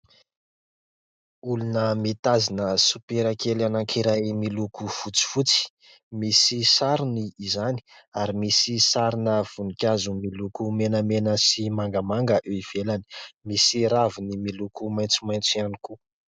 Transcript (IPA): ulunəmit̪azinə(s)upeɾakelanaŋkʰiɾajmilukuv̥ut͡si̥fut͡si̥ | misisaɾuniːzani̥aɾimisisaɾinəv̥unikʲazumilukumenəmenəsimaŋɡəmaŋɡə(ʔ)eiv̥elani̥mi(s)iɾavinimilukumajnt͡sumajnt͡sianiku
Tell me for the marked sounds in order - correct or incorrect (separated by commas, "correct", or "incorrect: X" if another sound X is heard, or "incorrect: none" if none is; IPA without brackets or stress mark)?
correct, correct, correct